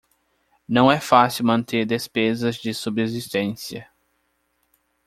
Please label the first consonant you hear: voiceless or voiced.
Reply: voiced